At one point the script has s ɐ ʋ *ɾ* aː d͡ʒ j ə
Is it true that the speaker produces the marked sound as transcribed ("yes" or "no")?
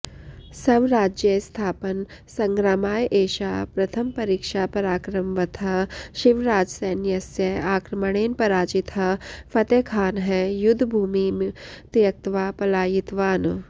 yes